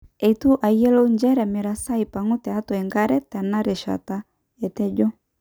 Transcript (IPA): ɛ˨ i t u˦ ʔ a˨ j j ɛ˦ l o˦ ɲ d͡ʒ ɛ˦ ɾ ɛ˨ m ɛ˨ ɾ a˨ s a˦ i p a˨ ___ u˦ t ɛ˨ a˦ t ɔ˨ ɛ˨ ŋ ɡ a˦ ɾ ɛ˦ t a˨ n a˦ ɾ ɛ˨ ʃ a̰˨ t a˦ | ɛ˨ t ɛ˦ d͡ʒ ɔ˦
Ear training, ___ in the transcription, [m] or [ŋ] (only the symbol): ŋ